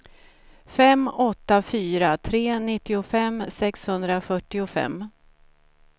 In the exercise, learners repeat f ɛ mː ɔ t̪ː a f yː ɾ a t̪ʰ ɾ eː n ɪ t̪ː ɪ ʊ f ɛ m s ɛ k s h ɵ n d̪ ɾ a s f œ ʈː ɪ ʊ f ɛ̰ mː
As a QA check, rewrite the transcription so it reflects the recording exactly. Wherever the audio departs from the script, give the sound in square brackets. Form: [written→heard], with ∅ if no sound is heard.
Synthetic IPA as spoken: f ɛ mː ɔ t̪ː a f yː ɾ a t̪ʰ ɾ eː n ɪ t̪ː ɪ ʊ f ɛ m s ɛ k s h ɵ n d̪ ɾ a [s→∅] f œ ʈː ɪ ʊ f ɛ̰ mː

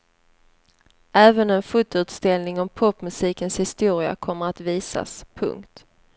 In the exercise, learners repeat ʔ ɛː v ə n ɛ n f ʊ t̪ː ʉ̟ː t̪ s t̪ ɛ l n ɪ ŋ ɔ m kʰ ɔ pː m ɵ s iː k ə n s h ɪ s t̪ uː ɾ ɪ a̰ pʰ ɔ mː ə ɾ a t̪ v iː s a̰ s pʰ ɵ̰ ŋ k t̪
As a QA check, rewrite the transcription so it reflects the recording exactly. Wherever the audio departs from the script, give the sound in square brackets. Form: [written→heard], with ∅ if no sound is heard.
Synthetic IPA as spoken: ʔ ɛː v ə n ɛ n f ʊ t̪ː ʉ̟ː t̪ s t̪ ɛ l n ɪ ŋ ɔ m [kʰ→pʰ] ɔ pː m ɵ s iː k ə n s h ɪ s t̪ uː ɾ ɪ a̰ [pʰ→kʰ] ɔ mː ə ɾ a t̪ v iː s a̰ s pʰ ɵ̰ ŋ k t̪

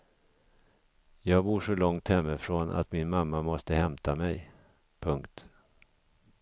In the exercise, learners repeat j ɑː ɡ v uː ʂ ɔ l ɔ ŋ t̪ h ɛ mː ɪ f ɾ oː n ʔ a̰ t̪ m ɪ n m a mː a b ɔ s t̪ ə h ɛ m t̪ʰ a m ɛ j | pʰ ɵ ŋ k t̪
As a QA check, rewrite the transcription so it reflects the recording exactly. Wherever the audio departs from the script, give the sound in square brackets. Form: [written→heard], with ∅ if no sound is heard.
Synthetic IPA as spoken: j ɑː ɡ [v→b] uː ʂ ɔ l ɔ ŋ t̪ h ɛ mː ɪ f ɾ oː n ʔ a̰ t̪ m ɪ n m a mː a [b→m] ɔ s t̪ ə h ɛ m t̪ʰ a m ɛ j | pʰ ɵ ŋ k t̪

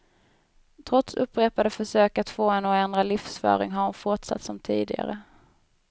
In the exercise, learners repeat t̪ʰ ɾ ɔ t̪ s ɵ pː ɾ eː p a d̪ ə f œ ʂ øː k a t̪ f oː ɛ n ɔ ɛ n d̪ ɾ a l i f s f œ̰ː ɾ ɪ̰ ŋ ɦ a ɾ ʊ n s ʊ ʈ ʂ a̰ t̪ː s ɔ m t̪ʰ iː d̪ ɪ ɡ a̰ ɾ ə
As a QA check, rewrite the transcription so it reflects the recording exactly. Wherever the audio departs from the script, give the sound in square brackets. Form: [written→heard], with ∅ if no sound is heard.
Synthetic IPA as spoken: t̪ʰ ɾ ɔ t̪ s ɵ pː ɾ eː p a d̪ ə f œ ʂ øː k a t̪ f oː ɛ n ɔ ɛ n d̪ ɾ a l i f s f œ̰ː ɾ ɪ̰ ŋ ɦ a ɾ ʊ n [s→f] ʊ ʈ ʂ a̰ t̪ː s ɔ m t̪ʰ iː d̪ ɪ ɡ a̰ ɾ ə

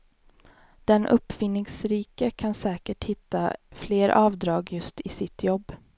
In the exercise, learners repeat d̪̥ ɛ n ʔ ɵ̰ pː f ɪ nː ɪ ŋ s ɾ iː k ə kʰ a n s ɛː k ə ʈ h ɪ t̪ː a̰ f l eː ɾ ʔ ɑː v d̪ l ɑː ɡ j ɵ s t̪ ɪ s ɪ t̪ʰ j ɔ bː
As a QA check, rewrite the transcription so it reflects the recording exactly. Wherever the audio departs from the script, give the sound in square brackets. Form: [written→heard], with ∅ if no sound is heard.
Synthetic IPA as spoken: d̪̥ ɛ n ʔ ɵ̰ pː f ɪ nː ɪ ŋ s ɾ iː k ə kʰ a n s ɛː k ə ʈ h ɪ t̪ː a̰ f l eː ɾ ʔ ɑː v d̪ [l→ɾ] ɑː ɡ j ɵ s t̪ ɪ s ɪ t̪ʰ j ɔ bː

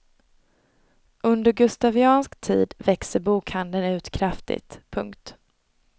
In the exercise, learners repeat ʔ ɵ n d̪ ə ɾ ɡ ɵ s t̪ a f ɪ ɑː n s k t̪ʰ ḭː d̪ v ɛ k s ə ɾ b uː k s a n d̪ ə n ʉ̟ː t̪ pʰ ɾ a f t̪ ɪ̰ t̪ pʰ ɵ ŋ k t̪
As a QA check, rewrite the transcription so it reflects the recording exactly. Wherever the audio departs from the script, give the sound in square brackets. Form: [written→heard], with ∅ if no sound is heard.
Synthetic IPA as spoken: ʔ ɵ n d̪ ə ɾ ɡ ɵ s t̪ a [f→v] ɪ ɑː n s k t̪ʰ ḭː d̪ v ɛ k s ə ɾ b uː k [s→h] a n d̪ ə n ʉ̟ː t̪ [pʰ→kʰ] ɾ a f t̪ ɪ̰ t̪ pʰ ɵ ŋ k t̪

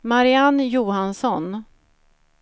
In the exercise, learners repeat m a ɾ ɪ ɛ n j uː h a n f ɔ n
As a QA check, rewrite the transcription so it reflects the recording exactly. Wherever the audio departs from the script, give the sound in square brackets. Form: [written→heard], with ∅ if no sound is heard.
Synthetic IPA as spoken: m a ɾ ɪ [ɛ→a] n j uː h a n [f→s] ɔ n

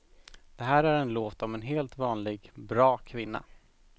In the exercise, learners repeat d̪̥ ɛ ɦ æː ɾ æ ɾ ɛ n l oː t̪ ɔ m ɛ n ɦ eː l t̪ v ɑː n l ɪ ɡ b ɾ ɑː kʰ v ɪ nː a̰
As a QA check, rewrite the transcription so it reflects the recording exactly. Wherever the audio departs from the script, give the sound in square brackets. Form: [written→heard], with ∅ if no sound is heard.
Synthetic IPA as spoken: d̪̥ ɛ ɦ æː ɾ æ ɾ ɛ n l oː t̪ ɔ m ɛ n ɦ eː l t̪ v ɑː n l ɪ ɡ b ɾ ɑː kʰ v ɪ nː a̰

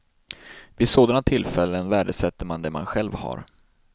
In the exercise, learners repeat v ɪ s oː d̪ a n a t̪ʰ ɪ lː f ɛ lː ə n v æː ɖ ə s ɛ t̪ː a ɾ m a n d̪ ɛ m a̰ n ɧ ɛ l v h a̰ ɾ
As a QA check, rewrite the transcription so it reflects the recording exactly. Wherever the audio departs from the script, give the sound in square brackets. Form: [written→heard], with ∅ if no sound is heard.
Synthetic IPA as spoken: v ɪ s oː d̪ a n a t̪ʰ ɪ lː f ɛ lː ə n v æː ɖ ə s ɛ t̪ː [a→ə] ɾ m a n d̪ ɛ m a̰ n ɧ ɛ l v h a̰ ɾ

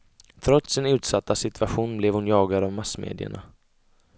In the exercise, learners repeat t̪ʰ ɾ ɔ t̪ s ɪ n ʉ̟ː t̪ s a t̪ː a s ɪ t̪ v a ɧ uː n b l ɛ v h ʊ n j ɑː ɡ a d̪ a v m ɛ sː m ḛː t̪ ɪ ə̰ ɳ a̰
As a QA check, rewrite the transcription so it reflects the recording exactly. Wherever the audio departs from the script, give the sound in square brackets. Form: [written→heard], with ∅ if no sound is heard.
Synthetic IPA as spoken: t̪ʰ ɾ ɔ t̪ s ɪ n ʉ̟ː t̪ s a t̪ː a s ɪ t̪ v a ɧ uː n b l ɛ v h ʊ n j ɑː ɡ a d̪ a v m [ɛ→a] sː m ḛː [t̪→d̪] ɪ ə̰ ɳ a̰

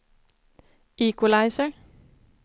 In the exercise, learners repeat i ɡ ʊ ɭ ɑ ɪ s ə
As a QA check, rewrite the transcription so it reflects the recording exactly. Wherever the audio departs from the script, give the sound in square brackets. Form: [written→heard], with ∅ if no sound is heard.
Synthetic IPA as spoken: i [ɡ→k] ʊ [ɭ→l] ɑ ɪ s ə

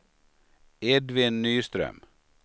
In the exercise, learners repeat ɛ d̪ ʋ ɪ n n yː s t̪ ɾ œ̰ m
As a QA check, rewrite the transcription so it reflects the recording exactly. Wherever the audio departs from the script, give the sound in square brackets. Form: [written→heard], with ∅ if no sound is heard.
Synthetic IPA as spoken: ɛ d̪ ʋ ɪ n n yː s t̪ ɾ œ̰ m

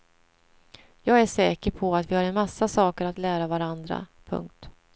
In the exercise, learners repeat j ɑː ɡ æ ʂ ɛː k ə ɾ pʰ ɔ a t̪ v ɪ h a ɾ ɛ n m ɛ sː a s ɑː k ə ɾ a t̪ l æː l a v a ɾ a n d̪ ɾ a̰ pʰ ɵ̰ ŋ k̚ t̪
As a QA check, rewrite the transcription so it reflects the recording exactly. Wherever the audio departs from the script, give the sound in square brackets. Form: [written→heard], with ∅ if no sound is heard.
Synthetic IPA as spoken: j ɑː ɡ æ ʂ ɛː k ə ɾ pʰ ɔ a t̪ v ɪ h a ɾ ɛ n m [ɛ→a] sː a s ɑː k ə ɾ a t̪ l æː [l→ɾ] a v a ɾ a n d̪ ɾ a̰ pʰ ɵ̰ ŋ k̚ t̪

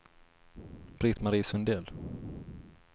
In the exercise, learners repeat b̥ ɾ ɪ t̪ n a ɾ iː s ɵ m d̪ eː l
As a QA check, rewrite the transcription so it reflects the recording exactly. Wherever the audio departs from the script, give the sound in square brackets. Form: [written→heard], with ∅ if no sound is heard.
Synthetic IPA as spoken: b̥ ɾ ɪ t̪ [n→m] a ɾ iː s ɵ [m→n] d̪ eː l

